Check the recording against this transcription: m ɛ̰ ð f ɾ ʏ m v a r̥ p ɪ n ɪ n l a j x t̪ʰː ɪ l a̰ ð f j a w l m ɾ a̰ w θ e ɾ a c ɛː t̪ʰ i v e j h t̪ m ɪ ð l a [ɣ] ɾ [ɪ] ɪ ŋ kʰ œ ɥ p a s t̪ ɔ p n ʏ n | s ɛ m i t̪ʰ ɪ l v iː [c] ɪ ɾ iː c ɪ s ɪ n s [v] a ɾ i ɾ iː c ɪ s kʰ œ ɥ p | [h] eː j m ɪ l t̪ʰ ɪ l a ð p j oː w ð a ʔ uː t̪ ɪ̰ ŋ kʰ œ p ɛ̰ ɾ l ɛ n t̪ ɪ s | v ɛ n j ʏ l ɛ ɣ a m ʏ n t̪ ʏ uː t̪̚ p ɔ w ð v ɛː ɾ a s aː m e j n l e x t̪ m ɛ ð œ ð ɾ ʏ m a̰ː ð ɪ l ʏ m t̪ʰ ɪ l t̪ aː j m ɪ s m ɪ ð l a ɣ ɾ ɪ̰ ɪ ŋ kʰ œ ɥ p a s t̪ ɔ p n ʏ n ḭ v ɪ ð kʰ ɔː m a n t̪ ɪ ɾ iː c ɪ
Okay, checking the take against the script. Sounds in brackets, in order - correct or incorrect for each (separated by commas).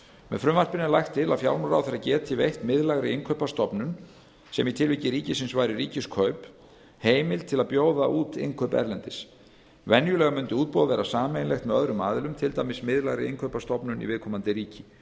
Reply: correct, correct, correct, correct, correct